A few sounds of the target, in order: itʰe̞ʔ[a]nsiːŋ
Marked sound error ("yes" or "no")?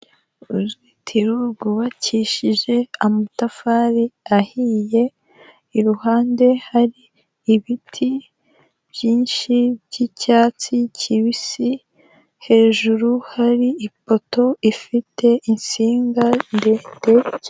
yes